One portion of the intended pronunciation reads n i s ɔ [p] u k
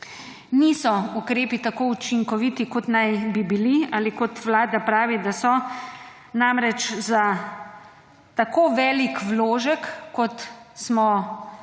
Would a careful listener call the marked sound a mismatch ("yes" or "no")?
yes